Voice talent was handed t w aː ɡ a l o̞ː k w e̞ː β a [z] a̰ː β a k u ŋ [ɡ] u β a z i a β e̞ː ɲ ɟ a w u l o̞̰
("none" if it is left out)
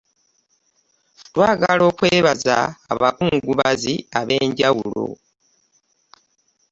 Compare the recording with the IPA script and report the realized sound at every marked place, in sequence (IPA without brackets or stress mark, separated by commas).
z, ɡ